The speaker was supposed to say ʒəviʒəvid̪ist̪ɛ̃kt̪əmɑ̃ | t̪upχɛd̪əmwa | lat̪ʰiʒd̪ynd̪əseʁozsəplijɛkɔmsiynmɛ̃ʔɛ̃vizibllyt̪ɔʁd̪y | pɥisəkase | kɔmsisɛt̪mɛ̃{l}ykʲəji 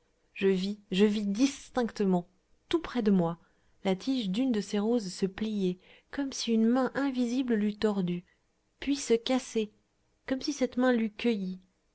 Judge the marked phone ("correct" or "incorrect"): correct